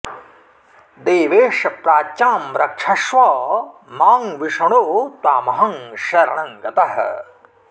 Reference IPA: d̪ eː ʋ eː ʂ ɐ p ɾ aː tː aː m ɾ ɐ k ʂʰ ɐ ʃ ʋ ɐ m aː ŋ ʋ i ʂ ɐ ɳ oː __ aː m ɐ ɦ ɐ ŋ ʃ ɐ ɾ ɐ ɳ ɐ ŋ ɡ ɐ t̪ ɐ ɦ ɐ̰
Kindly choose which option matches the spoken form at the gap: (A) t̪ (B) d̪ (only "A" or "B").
A